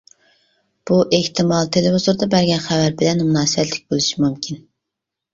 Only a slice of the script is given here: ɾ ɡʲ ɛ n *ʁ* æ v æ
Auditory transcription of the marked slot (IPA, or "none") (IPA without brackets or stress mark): χ